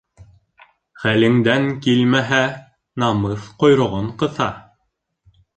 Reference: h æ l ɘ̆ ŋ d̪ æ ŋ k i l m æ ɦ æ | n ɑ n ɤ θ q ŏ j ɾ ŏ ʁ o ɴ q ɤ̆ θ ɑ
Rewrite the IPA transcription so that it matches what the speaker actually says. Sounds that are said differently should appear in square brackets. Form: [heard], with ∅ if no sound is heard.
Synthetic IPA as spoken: [χ] æ l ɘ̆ ŋ d̪ æ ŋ k i l m æ ɦ æ | n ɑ [m] ɤ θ q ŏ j ɾ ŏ ʁ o ɴ q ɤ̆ θ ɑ